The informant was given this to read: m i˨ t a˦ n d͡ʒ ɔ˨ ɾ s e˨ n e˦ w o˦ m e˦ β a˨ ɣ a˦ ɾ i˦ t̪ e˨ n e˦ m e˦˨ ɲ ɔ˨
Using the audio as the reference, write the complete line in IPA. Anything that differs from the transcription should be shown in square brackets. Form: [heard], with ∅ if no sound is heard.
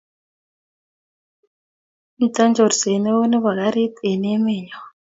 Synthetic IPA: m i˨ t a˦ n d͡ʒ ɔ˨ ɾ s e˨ n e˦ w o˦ [n] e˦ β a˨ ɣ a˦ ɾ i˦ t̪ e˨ n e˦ m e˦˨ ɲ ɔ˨